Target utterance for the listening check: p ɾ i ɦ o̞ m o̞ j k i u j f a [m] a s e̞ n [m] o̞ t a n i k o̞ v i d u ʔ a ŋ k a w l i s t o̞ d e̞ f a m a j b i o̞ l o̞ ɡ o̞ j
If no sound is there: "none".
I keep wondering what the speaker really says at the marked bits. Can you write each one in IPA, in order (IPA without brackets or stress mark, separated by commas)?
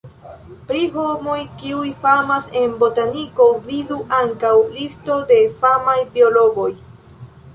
m, b